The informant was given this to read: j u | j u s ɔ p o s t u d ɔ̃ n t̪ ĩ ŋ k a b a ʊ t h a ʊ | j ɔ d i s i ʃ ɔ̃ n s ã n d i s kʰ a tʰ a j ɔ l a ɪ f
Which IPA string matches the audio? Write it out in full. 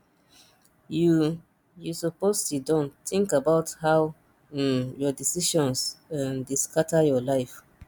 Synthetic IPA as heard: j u | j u s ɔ p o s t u d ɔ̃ n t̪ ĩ ŋ k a b a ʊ t h a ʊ | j ɔ d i s i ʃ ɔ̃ n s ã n d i s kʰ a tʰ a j ɔ l a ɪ f

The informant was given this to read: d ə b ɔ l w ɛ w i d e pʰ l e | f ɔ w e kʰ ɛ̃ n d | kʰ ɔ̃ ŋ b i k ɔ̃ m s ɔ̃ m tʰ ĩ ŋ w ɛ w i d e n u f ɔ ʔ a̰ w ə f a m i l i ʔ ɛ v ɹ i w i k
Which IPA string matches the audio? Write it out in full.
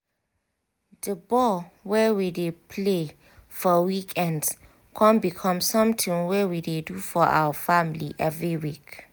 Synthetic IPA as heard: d ə b ɔ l w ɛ w i d e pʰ l e | f ɔ w i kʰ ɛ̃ n d | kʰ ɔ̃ n b i kʰ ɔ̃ m s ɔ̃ m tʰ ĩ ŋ w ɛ w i d e d u f ɔ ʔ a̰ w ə f a m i l i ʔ ɛ v ɹ i w i k

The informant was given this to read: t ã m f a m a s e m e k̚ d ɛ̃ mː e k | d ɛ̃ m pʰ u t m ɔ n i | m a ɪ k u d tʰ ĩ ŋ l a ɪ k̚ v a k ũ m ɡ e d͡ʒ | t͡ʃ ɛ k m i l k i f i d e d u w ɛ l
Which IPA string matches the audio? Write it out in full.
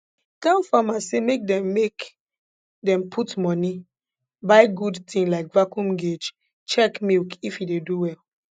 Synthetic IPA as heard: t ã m f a m a s e m e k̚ d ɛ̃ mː e k | d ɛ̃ m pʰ u t m ɔ n i | b a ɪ ɡ u d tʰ ĩ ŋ l a ɪ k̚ v a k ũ m ɡ e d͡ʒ | t͡ʃ ɛ k m i l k i f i d e d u w ɛ l

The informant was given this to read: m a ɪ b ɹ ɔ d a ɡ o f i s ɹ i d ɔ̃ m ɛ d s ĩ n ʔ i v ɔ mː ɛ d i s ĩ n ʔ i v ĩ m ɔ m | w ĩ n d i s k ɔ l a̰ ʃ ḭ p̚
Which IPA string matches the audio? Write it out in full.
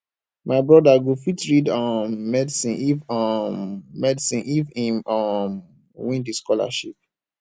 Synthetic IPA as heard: m a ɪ b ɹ ɔ d a ɡ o f i t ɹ i d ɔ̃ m ɛ d s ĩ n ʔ i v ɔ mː ɛ d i s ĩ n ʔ i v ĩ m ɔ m | w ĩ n d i s k ɔ l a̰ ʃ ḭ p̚

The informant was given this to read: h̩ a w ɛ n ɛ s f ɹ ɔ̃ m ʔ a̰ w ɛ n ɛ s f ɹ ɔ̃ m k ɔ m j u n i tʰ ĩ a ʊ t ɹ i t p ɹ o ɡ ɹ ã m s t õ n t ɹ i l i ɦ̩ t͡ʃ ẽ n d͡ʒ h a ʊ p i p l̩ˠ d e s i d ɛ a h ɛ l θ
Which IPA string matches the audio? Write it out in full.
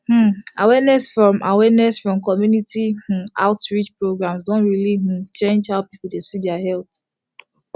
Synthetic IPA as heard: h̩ a w ɛ n ɛ s f ɹ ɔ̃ m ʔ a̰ w ɛ n ɛ s f ɹ ɔ̃ m k ɔ m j u n i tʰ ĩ a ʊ t ɹ i t͡ʃ p ɹ o ɡ ɹ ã m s d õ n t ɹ i l i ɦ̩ t͡ʃ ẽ n d͡ʒ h a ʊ p i p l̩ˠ d e s i d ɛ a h ɛ l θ

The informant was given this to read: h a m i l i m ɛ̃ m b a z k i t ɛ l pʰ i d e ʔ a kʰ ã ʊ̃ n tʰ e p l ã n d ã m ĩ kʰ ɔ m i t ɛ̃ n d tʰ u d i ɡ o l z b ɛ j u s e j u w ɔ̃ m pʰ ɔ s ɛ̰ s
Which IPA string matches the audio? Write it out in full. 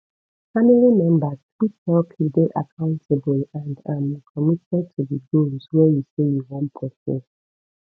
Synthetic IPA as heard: f a m i l i m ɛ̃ m b a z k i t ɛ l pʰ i d e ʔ a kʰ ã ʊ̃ n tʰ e b l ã n d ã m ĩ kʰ ɔ m i t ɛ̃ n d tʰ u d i ɡ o l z w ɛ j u s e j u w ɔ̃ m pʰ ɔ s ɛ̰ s

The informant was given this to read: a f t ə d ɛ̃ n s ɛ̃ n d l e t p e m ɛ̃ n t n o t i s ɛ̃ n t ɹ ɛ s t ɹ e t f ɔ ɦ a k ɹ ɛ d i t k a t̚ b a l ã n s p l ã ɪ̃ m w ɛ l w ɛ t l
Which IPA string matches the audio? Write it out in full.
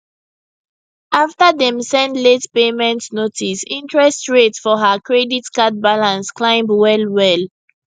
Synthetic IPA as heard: a f t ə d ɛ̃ m s ɛ̃ n d l e t p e m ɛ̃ n t n o t i s ĩ n t ɹ ɛ s t ɹ e t f ɔ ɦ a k ɹ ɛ d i t k a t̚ b a l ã n s k l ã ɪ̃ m w ɛ l w ɛ l

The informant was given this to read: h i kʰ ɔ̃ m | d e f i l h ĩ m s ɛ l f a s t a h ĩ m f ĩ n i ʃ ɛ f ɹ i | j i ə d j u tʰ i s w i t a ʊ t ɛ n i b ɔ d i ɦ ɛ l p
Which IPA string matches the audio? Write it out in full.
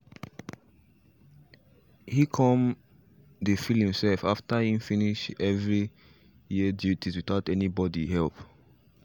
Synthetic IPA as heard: h i kʰ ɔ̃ m | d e f i l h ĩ m s ɛ l f a f t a h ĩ m f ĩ n i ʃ ɛ v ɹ i | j i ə d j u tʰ i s w i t a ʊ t ɛ n i b ɔ d i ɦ ɛ l p

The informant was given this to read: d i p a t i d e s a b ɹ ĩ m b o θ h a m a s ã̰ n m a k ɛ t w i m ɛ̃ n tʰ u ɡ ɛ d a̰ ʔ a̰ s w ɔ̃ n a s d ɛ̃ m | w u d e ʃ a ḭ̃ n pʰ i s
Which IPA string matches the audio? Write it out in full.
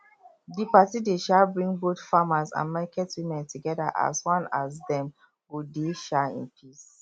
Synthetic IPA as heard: d i p a t i d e ʃ a b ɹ ĩ ŋ b o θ f a m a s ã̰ n m a k ɛ t w i m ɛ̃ n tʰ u ɡ ɛ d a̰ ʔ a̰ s w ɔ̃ n a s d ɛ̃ m | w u d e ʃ a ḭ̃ n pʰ i s

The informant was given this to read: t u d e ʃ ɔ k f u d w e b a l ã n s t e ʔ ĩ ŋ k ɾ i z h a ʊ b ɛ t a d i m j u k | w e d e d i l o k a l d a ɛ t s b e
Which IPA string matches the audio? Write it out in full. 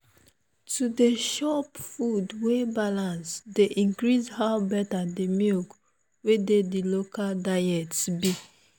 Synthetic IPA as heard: t u d e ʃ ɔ p f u d w e b a l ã n s d e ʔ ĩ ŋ k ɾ i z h a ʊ b ɛ t a d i m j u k | w e d e d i l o k a l d a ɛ t s b i

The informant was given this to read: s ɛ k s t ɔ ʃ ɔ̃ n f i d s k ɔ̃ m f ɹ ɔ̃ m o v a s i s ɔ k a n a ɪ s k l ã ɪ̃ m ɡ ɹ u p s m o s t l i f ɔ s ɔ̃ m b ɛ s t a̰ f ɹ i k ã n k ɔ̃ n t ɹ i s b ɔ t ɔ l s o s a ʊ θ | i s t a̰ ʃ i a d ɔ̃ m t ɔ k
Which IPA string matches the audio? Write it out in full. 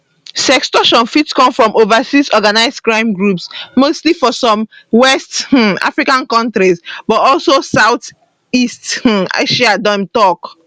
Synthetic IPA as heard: s ɛ k s t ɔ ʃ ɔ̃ n f i t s k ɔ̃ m f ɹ ɔ̃ m o v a s i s ɔ ɡ a n a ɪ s k ɹ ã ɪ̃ m ɡ ɹ u p s m o s t l i f ɔ s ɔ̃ m w ɛ s t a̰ f ɹ i k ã n k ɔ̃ n t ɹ i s b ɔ t ɔ l s o s a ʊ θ | i s t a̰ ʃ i a d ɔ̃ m t ɔ k

